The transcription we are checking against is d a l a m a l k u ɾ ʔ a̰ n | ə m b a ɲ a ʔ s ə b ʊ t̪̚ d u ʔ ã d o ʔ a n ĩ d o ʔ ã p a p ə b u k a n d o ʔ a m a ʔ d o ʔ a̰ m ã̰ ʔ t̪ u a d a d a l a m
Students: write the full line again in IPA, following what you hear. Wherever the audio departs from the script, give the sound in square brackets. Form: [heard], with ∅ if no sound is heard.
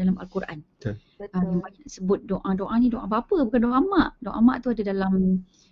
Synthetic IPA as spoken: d a l a m a l k u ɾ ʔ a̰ n | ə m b a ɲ a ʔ s ə b ʊ t̪̚ d [o] ʔ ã d o ʔ a n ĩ d o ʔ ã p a p ə b u k a n d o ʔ a m a ʔ d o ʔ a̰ m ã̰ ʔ t̪ u a d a d a l a m